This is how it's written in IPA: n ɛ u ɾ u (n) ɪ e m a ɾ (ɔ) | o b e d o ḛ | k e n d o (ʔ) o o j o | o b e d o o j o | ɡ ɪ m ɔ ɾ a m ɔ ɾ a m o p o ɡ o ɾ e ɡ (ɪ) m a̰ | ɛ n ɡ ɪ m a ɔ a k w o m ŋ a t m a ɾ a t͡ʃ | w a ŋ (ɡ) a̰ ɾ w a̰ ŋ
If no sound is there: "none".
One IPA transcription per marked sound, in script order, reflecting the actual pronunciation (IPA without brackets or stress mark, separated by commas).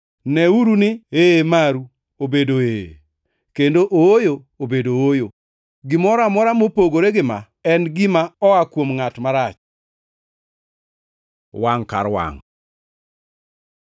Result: n, u, ʔ, ɪ, k